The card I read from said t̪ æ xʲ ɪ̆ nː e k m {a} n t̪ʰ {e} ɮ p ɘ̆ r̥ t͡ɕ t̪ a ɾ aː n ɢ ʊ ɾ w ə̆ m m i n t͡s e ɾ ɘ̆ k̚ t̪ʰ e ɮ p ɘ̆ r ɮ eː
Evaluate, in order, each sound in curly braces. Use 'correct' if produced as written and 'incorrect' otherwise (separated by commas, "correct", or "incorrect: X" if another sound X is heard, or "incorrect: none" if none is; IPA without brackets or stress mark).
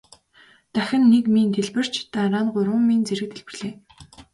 incorrect: i, correct